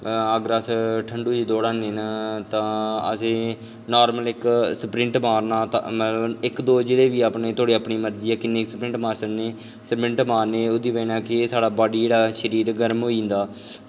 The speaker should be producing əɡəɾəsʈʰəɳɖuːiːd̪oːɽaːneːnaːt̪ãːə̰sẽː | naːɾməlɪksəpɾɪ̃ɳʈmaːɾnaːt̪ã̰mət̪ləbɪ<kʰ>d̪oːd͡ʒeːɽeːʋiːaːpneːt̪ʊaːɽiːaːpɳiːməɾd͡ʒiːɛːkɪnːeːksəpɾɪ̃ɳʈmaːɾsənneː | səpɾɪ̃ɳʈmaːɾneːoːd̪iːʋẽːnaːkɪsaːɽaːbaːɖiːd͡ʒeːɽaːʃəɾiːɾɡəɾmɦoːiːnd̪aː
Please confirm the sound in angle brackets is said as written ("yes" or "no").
no